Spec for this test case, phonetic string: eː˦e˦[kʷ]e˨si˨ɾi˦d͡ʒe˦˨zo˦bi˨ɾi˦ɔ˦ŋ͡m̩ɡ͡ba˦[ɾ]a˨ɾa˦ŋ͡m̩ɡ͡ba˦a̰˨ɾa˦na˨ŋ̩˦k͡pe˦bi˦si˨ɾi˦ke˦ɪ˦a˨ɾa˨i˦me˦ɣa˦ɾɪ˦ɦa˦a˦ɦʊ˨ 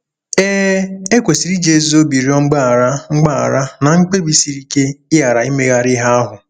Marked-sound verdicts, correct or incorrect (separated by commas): correct, incorrect